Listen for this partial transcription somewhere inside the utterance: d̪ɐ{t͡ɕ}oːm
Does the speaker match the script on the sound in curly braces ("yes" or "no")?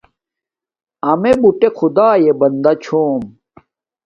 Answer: no